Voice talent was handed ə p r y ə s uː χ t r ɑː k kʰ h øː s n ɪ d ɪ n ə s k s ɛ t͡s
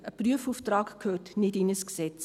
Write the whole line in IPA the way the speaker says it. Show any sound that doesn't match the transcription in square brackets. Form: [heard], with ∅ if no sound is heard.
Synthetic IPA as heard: ə p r y ə [f] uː [f] t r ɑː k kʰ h øː [t] n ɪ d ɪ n ə s k s ɛ t͡s